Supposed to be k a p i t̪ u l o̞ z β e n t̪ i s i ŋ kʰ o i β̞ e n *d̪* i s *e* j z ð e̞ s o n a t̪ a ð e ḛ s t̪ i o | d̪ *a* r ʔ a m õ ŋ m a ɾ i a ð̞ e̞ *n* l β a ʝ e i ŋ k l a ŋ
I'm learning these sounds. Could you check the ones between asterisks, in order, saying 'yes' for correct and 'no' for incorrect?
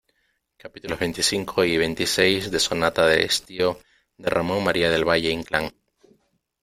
no, yes, no, no

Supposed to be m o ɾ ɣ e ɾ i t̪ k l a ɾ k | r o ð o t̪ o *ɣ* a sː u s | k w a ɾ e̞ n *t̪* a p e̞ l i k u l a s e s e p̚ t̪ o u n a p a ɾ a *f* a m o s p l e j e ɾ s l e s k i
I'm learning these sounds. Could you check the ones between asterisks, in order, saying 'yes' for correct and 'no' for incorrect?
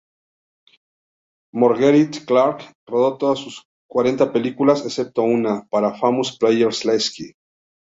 no, yes, yes

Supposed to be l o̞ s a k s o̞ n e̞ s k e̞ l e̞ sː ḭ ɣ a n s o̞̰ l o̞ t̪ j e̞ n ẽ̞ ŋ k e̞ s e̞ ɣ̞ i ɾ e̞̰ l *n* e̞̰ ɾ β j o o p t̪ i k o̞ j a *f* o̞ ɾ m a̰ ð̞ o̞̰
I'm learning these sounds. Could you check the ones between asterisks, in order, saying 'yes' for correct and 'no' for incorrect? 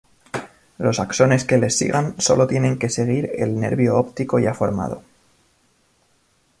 yes, yes

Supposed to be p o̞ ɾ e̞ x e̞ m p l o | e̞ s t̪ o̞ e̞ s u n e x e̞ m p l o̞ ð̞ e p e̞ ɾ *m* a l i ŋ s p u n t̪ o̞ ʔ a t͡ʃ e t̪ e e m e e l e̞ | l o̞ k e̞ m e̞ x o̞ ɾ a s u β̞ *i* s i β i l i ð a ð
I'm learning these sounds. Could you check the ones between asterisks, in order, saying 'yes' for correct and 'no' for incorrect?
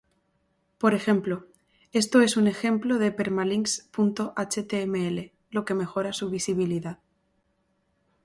yes, yes

